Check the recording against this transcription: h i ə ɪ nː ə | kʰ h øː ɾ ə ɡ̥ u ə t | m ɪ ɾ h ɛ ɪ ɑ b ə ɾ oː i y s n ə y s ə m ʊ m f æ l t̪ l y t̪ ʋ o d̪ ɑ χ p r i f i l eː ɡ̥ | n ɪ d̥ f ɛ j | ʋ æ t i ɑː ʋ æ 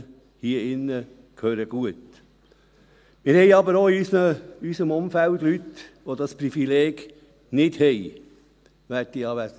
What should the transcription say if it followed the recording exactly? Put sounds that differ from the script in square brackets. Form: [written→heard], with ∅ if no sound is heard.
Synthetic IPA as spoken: h i ə ɪ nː ə | kʰ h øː ɾ ə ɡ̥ u ə t | m ɪ ɾ h ɛ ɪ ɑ b ə ɾ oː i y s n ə y s ə m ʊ m f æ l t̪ l y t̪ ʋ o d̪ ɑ [χ→s] p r i f i l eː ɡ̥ | n ɪ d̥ [f→h] ɛ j | ʋ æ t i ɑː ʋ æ